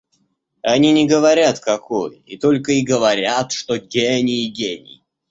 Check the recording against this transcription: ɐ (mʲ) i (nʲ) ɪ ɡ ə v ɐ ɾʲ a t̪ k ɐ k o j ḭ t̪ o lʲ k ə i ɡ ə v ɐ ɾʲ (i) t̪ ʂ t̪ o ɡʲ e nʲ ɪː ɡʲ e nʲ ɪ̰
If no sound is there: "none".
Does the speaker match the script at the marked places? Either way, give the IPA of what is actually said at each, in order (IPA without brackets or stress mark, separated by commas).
nʲ, nʲ, a